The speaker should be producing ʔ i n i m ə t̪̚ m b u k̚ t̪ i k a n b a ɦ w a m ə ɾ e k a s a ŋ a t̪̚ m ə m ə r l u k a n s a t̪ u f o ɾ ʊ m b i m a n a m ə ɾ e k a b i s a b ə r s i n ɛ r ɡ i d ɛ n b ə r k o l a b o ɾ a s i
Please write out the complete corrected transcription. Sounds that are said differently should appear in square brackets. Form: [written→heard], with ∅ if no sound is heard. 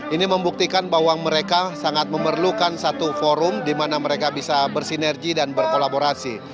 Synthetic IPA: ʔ i n i m ə [t̪̚→∅] m b u k̚ t̪ i k a n b a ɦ w a m ə ɾ e k a s a ŋ a t̪̚ m ə m ə r l u k a n s a t̪ u f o ɾ ʊ m [b→d] i m a n a m ə ɾ e k a b i s a b ə r s i n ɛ r ɡ i d [ɛ→a] n b ə r k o l a b o ɾ a s i